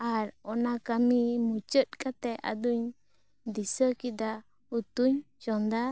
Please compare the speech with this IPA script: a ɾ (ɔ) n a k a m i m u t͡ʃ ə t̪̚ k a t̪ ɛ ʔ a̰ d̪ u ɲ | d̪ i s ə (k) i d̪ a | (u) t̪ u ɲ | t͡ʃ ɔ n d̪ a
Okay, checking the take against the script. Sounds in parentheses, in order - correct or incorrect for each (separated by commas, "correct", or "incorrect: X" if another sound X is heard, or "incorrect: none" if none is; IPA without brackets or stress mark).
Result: correct, correct, correct